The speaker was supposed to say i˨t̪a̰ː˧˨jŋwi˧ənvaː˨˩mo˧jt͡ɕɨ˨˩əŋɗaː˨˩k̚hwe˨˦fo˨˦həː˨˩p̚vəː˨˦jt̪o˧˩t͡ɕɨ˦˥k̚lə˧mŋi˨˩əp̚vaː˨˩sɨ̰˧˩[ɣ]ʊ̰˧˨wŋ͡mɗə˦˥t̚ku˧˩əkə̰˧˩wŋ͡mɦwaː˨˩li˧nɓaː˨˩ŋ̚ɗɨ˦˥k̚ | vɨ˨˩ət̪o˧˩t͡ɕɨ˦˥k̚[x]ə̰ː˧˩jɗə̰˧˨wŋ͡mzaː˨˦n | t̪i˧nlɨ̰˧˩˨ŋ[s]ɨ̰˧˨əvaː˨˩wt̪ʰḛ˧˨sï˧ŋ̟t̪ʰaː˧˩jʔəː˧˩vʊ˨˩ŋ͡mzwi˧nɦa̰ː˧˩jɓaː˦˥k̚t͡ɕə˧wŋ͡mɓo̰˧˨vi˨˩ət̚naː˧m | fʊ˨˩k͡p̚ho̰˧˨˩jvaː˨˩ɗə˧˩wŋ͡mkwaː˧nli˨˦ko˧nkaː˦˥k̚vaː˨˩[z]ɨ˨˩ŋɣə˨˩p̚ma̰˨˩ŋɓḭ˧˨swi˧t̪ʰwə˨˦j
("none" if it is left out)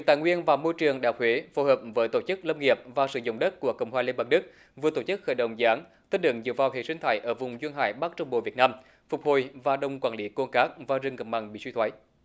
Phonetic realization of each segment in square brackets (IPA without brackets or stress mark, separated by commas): z, x, z, z